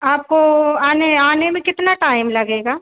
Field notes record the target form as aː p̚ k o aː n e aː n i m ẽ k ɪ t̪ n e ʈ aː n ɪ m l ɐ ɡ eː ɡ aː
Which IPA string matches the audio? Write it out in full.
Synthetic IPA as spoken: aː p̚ k o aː n e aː n e m ẽ k ɪ t̪ n a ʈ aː ɪ m l ɐ ɡ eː ɡ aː